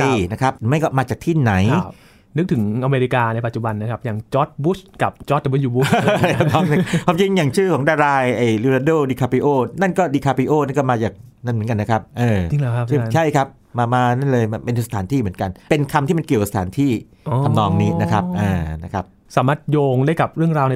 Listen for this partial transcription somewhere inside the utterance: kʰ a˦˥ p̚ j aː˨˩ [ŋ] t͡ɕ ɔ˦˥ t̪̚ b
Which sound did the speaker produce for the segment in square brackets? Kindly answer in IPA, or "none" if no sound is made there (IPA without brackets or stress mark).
ŋ